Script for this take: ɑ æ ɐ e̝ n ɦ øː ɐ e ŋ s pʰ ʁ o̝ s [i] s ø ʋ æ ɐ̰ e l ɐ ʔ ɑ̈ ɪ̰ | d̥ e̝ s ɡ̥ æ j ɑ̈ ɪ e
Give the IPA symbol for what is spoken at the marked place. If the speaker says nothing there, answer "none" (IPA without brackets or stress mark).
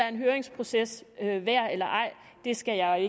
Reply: e